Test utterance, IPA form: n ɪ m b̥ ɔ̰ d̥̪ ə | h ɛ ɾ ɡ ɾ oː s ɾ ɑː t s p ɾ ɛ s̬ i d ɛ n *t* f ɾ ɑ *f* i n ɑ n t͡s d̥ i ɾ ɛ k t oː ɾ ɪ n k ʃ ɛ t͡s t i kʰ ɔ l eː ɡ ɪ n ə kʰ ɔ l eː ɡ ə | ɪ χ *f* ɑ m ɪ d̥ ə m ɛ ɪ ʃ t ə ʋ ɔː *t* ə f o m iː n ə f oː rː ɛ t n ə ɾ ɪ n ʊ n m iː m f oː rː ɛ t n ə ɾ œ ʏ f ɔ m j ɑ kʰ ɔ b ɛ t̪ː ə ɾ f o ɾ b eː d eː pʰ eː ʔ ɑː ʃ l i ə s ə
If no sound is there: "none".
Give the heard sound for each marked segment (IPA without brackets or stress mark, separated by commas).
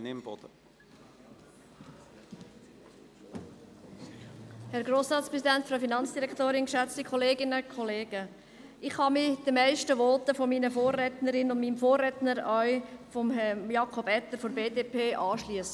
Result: t, f, h, t